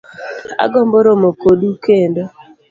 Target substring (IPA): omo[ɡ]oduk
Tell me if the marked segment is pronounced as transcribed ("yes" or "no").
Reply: no